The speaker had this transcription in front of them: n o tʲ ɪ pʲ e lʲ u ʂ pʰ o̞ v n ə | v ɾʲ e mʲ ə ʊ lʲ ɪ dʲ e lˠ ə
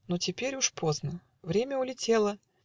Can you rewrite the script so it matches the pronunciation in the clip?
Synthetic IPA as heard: n o tʲ ɪ pʲ e ɾʲ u ʂ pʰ o̞ z n ə | v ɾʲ e mʲ ə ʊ lʲ ɪ tʲ e lˠ ə